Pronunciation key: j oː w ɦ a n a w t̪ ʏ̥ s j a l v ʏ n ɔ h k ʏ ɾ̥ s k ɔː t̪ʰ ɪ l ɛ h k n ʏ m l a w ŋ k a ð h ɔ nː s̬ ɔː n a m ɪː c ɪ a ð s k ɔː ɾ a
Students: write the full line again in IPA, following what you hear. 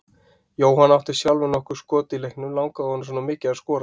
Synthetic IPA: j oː w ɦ a n a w t̪ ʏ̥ s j a l v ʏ n ɔ h k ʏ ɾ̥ s k ɔː t̪ ɪ l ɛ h k n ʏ m l a w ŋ k a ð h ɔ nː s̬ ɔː n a m ɪː c ɪ a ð s k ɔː ɾ a